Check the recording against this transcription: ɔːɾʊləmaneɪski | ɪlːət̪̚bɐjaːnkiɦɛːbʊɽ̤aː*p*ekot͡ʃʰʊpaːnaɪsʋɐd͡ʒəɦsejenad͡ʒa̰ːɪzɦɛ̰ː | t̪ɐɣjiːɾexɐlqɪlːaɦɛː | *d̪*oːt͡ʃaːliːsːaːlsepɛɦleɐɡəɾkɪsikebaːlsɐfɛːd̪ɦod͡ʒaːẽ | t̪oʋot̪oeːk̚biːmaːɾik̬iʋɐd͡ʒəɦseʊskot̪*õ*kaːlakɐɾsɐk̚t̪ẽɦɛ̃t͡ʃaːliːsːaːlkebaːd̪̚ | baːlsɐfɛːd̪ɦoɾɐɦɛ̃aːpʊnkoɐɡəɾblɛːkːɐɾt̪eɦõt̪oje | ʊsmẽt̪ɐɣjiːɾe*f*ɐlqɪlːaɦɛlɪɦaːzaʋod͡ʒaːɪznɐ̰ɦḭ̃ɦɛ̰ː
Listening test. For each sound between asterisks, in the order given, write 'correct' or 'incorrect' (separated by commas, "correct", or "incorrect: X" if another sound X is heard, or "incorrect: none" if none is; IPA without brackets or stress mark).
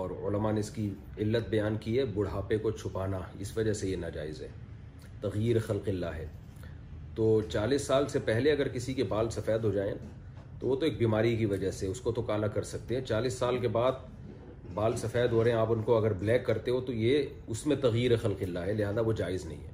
correct, incorrect: t̪, incorrect: o, incorrect: x